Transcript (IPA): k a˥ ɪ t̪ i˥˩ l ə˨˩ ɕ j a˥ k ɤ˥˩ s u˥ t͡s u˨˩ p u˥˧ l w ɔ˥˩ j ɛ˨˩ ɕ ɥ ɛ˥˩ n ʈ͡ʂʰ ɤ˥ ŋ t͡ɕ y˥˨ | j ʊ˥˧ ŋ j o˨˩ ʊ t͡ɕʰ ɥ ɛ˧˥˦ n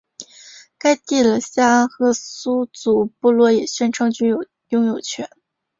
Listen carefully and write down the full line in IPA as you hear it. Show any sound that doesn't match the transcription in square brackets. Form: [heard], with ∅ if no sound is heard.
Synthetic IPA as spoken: k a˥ ɪ t̪ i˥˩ l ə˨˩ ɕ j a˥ [x] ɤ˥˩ s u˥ t͡s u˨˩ p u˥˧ l w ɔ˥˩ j ɛ˨˩ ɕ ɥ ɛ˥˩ n ʈ͡ʂʰ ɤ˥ ŋ t͡ɕ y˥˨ | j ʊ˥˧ ŋ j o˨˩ ʊ t͡ɕʰ ɥ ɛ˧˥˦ n